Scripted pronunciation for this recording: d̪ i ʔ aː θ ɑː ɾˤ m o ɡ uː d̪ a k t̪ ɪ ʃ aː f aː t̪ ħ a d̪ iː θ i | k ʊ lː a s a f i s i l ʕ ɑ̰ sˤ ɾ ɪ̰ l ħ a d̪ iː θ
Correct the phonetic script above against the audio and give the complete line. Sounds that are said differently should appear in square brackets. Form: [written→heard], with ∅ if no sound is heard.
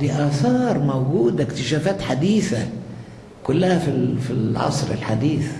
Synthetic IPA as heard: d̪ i ʔ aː θ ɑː ɾˤ m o ɡ uː d̪ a k t̪ ɪ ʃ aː f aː t̪ ħ a d̪ iː θ [i→a] | k ʊ lː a [s→h] a f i [s→f] i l ʕ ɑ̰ sˤ ɾ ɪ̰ l ħ a d̪ iː θ